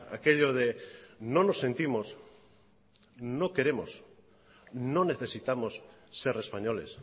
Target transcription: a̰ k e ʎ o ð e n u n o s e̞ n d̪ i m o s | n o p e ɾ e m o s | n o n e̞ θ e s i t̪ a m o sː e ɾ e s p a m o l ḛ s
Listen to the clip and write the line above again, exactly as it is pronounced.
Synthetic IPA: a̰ k e ʎ o ð e n o n o s e̞ n t̪ i m o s | n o k e ɾ e m o s | n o n e̞ θ e s i t̪ a m o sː e ɾ e s p a ɲ o l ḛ s

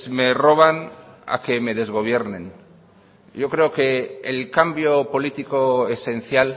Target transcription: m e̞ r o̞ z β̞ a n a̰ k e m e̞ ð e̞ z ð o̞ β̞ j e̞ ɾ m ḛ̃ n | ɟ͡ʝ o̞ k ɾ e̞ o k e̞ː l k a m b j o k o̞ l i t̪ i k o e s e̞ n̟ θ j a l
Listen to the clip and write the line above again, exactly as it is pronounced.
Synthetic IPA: m e̞ r o̞ β̞ a n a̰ k e m e̞ ð e̞ z ɣ o̞ β̞ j e̞ ɾ n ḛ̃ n | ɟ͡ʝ o̞ k ɾ e̞ o k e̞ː l k a m b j o p o̞ l i t̪ i k o e s e̞ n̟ θ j a l

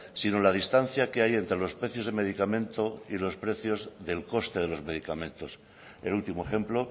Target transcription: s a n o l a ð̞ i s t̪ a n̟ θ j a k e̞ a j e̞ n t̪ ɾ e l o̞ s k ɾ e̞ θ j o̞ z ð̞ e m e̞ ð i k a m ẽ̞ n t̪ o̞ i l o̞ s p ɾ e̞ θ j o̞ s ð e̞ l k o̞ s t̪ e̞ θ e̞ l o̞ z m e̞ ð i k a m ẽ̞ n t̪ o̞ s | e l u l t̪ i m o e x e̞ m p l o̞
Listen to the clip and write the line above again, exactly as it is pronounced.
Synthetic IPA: s i n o l a ð̞ i s t̪ a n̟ θ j a k e̞ a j e̞ n t̪ ɾ e l o̞ s p ɾ e̞ θ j o̞ z ð̞ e m e̞ ð i k a m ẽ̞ n t̪ o̞ i l o̞ s p ɾ e̞ θ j o̞ z ð e̞ l k o̞ s t̪ e̞ ð e̞ l o̞ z m e̞ ð i k a m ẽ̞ n t̪ o̞ s | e l u l t̪ i m o e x e̞ m p l o̞

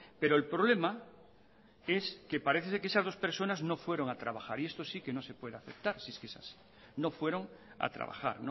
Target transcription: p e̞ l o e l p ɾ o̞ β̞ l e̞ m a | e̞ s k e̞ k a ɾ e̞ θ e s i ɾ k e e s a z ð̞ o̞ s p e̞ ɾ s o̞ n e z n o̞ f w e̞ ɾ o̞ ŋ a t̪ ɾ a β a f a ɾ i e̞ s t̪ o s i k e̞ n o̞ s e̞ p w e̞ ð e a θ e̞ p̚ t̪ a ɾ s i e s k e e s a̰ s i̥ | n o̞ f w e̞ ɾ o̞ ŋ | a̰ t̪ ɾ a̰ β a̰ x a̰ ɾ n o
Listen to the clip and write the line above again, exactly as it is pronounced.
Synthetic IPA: p e̞ ɾ o e l p ɾ o̞ β̞ l e̞ m a | e̞ s k e̞ p a ɾ e̞ θ e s e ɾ k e e s a z ð̞ o̞ s p e̞ ɾ s o̞ n a z n o̞ f w e̞ ɾ o̞ ŋ a t̪ ɾ a β a x a ɾ i e̞ s t̪ o s i k e̞ n o̞ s e̞ p w e̞ ð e a θ e̞ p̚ t̪ a ɾ s i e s k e e s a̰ s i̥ | n o̞ f w e̞ ɾ o̞ ŋ | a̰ t̪ ɾ a̰ β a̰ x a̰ ɾ n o

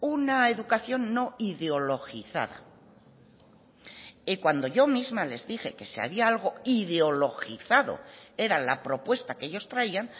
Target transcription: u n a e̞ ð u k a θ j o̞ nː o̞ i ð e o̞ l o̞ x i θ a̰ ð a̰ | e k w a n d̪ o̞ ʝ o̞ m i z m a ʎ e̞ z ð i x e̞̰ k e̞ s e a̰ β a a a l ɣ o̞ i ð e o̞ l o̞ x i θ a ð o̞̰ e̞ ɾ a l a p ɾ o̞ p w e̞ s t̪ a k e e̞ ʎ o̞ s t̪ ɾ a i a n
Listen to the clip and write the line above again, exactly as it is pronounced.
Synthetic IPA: u n a e̞ ð u k a θ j o̞ nː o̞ i ð e o̞ l o̞ x i θ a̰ ð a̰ | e k w a n d̪ o̞ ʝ o̞ m i z m a l e̞ z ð i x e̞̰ k e̞ s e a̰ β i a a l ɣ o̞ i ð e o̞ l o̞ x i θ a ð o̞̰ e̞ ɾ a l a p ɾ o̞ p w e̞ s t̪ a k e e̞ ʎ o̞ s t̪ ɾ a i a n

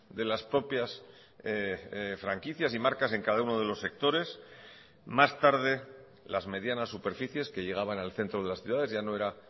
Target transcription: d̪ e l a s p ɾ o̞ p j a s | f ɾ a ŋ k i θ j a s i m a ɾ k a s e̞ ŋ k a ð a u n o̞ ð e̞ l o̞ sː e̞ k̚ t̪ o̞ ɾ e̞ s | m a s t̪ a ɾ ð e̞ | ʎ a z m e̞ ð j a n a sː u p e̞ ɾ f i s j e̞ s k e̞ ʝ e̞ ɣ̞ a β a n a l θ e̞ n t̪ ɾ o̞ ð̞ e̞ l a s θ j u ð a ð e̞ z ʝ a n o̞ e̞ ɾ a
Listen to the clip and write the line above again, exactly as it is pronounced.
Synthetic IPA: d̪ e l a s p ɾ o̞ p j a s | f ɾ a ŋ k i θ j a s i m a ɾ k a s e̞ ŋ k a ð a u n o̞ ð e̞ l o̞ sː e̞ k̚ t̪ o̞ ɾ e̞ s | m a s t̪ a ɾ ð e̞ | l a z m e̞ ð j a n a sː u p e̞ ɾ f i θ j e̞ s k e̞ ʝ e̞ ɣ̞ a β a n a l θ e̞ n t̪ ɾ o̞ ð̞ e̞ l a s θ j u ð a ð e̞ z ʝ a n o̞ e̞ ɾ a

